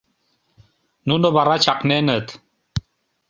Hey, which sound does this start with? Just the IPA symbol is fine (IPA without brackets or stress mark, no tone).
n